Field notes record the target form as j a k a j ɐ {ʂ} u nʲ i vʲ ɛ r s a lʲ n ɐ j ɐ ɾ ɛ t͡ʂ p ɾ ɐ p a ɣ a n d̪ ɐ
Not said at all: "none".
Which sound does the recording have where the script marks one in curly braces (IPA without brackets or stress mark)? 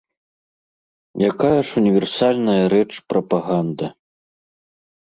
ʂ